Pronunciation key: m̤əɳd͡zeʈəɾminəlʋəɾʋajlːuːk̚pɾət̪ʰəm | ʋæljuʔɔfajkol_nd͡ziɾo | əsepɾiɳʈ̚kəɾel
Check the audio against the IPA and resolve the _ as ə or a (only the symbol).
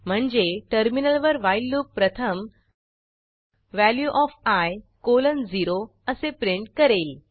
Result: ə